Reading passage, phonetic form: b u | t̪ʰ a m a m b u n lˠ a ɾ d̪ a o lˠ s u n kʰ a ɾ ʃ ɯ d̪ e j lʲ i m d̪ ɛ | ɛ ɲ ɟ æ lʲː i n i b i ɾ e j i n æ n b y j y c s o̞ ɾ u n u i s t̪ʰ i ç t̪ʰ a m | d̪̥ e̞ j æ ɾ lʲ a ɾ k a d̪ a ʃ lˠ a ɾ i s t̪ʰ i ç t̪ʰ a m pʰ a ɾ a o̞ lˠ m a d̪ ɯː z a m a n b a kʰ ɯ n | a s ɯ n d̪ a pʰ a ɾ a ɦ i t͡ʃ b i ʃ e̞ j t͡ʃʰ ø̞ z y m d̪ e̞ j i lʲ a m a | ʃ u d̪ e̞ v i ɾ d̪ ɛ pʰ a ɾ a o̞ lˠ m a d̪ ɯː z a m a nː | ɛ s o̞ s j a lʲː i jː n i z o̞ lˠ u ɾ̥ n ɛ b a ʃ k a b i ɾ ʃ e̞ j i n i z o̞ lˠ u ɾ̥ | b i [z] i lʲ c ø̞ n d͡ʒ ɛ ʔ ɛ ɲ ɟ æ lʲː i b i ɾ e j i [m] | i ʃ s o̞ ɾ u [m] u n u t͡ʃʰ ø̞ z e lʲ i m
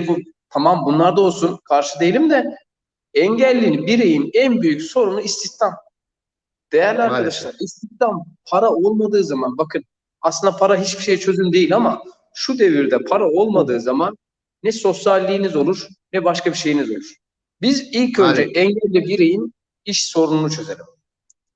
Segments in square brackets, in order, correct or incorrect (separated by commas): correct, incorrect, incorrect